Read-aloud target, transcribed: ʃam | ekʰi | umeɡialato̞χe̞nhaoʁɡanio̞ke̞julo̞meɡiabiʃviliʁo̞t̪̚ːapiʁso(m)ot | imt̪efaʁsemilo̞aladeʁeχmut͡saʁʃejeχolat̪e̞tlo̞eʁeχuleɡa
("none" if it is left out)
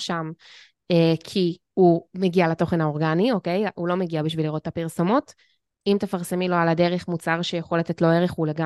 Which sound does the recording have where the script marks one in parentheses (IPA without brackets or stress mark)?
m